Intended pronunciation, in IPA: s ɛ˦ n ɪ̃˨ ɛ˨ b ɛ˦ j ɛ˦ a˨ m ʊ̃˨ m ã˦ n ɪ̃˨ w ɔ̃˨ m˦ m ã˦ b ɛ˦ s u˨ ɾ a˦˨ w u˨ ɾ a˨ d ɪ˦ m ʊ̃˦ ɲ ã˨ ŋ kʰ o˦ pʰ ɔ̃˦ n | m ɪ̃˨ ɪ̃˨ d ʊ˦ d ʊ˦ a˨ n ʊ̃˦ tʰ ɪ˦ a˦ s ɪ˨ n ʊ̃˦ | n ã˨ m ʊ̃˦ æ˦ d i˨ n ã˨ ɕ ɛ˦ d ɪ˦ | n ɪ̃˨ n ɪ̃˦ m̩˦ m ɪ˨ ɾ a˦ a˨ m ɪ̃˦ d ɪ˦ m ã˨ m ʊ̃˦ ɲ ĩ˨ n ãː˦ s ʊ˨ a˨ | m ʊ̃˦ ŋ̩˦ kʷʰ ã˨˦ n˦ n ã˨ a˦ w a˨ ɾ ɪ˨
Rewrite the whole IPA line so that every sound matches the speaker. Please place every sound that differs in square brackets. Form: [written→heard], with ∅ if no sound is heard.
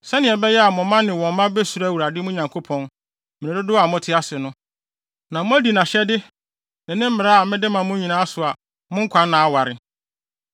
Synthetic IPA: s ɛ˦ n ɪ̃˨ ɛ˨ b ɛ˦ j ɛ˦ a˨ m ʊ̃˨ m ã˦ n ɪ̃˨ w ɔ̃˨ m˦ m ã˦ b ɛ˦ s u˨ ɾ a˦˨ w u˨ ɾ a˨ d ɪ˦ m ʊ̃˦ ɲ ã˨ ŋ kʰ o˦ pʰ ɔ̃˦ n | m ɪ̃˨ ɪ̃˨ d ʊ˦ d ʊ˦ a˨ [n→m] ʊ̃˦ tʰ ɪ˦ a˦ s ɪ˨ n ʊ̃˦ | n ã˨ m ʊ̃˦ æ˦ d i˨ n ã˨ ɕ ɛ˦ d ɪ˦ | n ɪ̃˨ n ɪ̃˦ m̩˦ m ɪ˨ ɾ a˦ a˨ m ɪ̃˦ d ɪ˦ m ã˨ m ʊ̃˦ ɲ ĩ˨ n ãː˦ s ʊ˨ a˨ | m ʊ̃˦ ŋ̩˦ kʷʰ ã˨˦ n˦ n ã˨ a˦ w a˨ ɾ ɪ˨